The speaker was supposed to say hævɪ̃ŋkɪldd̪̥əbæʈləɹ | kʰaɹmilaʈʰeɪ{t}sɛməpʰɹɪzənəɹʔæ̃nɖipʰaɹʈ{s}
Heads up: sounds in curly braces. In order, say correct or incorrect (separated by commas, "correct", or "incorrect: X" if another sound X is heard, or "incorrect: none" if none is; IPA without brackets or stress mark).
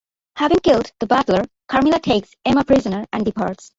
incorrect: k, correct